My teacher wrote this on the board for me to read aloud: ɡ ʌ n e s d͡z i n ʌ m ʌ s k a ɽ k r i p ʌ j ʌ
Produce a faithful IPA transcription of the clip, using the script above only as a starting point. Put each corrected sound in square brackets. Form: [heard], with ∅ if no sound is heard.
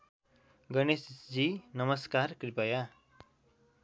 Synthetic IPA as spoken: ɡ ʌ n e s d͡z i n ʌ m ʌ s k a [r] k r i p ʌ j [a]